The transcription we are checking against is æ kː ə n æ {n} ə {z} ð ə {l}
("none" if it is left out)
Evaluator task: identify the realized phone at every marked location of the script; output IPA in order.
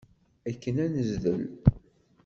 n, z, l

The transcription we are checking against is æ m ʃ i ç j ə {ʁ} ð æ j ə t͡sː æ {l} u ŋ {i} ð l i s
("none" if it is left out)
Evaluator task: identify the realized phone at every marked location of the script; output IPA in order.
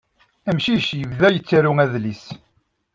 v, ɾ, æ

